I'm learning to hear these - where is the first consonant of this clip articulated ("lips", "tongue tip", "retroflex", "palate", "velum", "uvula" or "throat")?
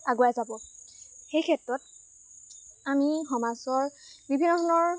velum